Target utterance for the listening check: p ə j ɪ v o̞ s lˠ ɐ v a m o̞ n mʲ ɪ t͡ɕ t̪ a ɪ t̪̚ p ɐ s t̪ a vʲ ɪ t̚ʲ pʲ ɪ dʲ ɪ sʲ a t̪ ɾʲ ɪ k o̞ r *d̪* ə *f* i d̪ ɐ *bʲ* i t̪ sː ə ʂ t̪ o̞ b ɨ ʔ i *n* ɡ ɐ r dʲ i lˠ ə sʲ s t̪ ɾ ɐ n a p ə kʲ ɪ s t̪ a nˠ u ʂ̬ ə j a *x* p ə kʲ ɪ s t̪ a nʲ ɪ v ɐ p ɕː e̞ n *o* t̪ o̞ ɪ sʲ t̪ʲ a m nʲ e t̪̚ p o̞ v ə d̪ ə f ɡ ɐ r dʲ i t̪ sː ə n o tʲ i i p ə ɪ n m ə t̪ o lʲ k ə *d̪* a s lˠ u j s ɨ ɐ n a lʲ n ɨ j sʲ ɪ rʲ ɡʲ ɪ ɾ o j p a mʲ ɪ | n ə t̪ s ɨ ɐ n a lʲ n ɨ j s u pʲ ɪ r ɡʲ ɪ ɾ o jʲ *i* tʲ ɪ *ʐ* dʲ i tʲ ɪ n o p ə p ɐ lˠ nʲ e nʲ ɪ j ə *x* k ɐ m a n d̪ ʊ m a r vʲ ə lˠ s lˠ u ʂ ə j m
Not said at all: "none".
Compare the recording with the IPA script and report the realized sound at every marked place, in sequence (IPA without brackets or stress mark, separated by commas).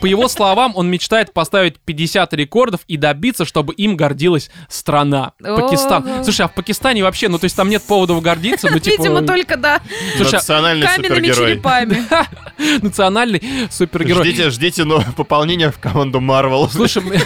d̪, f, bʲ, m, f, u, d̪, i, ʐ, f